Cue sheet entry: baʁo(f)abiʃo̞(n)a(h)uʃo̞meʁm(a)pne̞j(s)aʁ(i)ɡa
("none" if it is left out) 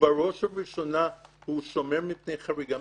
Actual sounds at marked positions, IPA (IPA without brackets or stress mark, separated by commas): ʃ, n, h, i, χ, i